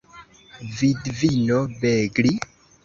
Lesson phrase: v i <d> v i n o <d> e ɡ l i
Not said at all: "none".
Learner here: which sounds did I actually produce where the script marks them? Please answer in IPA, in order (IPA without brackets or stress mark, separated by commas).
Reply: d, b